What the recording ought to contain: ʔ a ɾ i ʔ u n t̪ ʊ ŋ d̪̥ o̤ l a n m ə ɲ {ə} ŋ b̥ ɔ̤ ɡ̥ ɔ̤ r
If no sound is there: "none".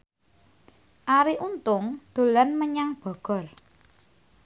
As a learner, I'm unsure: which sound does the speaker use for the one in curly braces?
a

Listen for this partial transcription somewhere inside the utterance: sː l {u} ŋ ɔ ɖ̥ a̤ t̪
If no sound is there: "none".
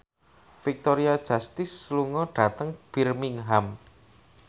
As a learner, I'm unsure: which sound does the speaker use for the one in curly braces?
u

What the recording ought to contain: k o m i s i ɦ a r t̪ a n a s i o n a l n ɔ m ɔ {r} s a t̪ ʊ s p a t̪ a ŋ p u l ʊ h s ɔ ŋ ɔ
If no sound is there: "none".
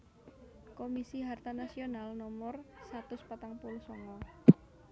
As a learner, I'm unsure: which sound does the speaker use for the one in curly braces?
r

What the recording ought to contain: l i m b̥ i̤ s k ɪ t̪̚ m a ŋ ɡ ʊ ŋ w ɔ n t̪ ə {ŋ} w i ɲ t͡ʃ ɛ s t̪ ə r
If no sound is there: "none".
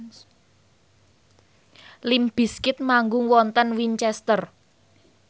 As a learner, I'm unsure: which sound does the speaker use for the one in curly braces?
n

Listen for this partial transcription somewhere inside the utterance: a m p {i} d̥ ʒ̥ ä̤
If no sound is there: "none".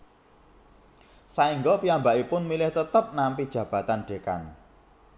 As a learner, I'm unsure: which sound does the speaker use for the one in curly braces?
i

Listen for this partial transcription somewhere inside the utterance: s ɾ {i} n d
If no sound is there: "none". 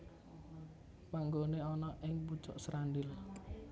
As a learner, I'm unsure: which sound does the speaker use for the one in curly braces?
a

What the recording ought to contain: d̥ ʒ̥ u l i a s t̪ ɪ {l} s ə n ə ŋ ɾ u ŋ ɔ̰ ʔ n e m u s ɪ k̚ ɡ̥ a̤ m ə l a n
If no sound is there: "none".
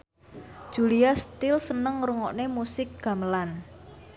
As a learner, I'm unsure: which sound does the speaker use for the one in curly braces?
l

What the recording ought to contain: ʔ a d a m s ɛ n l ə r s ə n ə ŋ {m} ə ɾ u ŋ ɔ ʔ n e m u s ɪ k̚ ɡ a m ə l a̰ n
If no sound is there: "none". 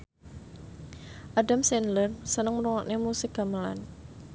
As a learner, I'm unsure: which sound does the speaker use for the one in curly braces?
m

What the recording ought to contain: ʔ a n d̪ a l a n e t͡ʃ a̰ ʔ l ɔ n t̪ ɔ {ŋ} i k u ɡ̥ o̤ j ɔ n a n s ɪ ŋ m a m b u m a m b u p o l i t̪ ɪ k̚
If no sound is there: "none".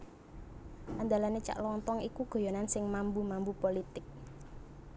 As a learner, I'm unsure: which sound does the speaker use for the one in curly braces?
ŋ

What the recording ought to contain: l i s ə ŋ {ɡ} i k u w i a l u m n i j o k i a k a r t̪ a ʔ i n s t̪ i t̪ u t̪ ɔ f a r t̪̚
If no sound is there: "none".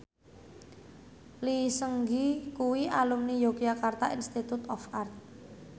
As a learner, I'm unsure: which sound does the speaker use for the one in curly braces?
ɡ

